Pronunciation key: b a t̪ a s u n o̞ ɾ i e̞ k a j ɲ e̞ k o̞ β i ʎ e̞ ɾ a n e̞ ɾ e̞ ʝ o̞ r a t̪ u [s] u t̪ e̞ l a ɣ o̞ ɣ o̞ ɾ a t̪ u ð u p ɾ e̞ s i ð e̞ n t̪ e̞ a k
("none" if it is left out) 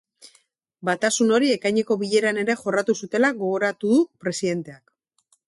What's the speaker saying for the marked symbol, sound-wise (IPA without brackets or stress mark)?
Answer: s